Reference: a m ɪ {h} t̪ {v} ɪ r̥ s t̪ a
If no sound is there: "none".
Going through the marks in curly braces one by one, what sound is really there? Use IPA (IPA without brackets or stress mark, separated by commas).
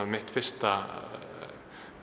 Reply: h, f